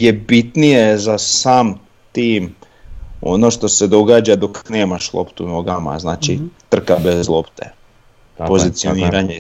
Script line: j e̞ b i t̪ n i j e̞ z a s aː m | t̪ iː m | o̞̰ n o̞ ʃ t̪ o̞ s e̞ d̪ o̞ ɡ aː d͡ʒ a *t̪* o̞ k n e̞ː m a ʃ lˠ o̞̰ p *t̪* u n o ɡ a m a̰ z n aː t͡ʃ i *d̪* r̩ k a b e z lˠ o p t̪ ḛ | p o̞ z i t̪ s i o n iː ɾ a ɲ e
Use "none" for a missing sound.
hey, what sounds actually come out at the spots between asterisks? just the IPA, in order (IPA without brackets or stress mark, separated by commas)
d̪, t̪, t̪